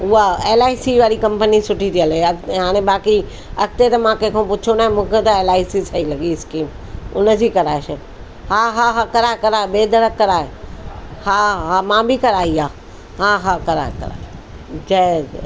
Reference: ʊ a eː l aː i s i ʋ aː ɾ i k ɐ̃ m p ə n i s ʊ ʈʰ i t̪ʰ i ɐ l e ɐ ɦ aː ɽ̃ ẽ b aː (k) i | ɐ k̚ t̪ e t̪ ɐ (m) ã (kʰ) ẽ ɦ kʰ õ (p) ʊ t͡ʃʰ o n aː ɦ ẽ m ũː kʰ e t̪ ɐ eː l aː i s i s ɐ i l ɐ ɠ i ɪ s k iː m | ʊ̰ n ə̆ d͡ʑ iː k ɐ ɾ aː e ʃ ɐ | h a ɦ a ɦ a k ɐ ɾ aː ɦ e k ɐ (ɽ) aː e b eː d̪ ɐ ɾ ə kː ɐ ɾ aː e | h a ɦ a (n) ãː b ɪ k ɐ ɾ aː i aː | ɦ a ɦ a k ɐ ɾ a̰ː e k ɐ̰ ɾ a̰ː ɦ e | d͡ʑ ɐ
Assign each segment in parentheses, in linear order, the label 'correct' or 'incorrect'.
correct, correct, incorrect, correct, incorrect, incorrect

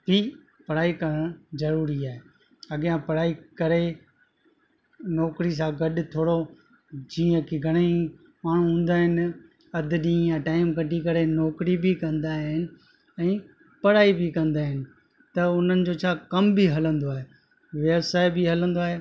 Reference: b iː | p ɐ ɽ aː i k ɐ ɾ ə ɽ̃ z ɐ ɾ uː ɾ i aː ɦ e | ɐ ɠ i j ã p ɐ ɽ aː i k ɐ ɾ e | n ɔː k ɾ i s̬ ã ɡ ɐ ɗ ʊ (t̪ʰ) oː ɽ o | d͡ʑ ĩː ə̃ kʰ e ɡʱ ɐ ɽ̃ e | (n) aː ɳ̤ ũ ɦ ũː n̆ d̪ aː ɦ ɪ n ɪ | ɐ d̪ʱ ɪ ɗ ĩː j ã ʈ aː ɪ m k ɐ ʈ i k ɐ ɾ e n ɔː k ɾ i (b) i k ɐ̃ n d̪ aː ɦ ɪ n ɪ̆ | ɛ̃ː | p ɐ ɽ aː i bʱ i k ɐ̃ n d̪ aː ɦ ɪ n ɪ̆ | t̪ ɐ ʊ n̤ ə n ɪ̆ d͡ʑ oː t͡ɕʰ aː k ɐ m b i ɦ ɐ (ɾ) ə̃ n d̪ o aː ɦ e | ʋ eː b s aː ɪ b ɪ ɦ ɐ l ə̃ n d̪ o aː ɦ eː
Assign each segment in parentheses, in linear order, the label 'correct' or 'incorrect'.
correct, incorrect, correct, incorrect

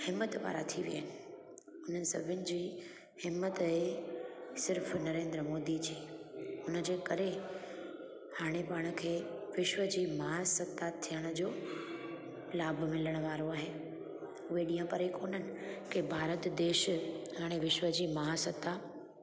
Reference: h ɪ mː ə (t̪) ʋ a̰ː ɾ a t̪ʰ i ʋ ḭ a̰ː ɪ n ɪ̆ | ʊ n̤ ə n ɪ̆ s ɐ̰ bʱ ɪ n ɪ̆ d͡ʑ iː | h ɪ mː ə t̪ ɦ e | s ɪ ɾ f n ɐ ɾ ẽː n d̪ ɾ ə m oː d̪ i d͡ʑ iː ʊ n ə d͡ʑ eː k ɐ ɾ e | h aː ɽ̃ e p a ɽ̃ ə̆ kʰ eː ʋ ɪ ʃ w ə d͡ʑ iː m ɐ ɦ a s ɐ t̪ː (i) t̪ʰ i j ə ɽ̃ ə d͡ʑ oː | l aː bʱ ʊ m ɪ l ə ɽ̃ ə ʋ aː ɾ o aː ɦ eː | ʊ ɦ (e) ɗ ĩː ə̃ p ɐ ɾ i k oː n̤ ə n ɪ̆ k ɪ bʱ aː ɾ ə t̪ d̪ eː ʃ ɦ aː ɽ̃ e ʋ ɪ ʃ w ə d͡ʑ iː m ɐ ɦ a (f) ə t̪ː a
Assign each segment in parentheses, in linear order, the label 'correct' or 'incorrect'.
correct, incorrect, correct, incorrect

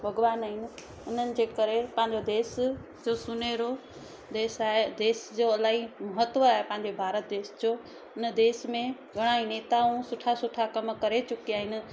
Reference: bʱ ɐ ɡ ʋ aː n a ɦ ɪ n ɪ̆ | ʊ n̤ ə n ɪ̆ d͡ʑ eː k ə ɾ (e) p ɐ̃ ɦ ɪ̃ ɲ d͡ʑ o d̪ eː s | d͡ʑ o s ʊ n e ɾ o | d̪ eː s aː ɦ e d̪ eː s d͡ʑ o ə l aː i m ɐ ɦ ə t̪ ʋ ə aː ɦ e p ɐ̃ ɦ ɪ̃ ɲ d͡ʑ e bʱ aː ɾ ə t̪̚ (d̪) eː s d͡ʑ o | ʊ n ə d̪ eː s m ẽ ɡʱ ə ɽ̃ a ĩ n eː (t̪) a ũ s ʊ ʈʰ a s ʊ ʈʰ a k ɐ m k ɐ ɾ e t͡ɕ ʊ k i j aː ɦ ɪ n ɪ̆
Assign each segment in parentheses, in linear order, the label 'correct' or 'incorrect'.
correct, correct, correct

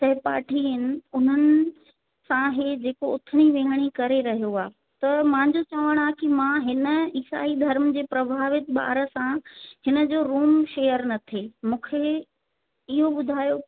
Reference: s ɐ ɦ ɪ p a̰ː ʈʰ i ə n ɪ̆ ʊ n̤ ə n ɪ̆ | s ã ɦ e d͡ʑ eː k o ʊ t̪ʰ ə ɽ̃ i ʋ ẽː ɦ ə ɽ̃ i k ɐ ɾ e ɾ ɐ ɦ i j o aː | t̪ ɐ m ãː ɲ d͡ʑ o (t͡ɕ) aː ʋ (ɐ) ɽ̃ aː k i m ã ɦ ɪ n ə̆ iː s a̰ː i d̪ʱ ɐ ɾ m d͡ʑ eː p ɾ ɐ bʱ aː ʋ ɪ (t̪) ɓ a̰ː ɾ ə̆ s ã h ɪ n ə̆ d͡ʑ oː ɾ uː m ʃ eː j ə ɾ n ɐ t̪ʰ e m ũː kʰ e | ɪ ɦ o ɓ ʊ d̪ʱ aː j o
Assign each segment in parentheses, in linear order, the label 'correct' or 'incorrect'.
correct, incorrect, correct

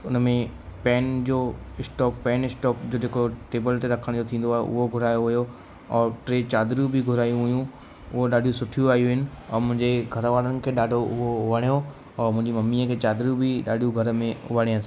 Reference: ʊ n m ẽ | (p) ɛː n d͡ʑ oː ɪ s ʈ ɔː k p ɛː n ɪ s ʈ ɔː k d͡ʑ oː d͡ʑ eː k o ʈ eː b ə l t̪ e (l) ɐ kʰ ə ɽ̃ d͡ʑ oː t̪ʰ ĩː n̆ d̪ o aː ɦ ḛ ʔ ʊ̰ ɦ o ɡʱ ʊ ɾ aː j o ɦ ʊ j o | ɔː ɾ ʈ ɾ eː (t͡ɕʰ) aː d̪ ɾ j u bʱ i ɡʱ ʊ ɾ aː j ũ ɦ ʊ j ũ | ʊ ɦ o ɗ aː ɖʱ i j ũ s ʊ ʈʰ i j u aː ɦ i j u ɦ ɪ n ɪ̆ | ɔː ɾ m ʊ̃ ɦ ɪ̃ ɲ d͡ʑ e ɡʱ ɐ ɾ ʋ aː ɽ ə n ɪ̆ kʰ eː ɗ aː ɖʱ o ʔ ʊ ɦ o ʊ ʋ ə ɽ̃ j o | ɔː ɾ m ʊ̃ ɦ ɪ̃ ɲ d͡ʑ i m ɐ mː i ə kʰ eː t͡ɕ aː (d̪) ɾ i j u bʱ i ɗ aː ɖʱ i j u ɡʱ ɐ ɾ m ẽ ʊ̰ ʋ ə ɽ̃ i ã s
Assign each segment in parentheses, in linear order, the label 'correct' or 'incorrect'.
correct, incorrect, incorrect, correct

